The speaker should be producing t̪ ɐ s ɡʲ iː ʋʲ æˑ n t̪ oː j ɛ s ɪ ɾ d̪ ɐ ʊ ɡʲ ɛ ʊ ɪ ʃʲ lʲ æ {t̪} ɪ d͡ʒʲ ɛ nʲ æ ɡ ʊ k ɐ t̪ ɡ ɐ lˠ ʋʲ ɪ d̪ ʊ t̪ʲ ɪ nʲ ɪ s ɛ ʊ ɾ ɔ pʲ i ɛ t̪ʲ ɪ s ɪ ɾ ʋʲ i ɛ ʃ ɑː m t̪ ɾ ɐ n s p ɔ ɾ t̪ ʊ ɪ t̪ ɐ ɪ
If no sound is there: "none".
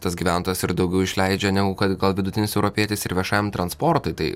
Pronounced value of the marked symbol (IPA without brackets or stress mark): none